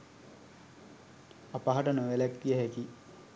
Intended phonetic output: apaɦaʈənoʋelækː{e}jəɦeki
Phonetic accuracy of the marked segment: incorrect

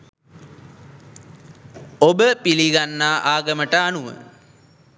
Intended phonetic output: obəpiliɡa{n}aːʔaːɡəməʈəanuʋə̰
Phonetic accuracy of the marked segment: incorrect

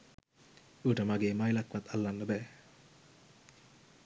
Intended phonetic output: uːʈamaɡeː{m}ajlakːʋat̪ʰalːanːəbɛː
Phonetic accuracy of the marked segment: correct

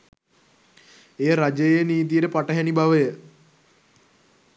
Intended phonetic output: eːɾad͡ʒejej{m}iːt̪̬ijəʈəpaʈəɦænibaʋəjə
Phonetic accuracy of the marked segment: incorrect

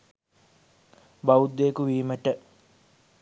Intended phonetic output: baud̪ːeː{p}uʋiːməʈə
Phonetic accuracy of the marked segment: incorrect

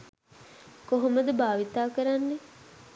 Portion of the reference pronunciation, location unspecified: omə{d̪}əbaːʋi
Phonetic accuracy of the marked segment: correct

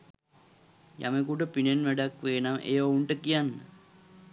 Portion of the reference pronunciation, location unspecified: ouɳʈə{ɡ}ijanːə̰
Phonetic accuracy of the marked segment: incorrect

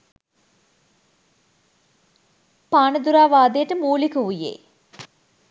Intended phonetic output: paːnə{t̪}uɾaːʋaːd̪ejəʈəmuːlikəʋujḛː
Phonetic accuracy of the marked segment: incorrect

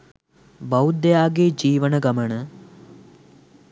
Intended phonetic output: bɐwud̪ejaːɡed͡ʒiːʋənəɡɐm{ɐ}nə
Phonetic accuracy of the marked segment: incorrect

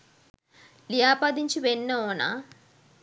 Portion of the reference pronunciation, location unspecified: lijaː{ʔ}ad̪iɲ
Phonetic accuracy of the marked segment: incorrect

